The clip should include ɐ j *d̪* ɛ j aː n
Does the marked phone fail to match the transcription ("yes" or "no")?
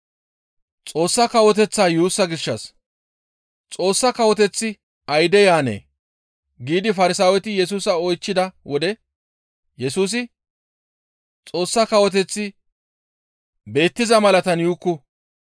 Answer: no